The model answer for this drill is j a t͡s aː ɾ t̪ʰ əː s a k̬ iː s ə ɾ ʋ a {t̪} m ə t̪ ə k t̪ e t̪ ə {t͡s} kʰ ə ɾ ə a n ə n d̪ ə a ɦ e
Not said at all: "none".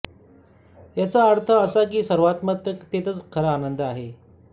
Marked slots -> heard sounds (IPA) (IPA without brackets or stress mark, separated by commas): t̪, t͡s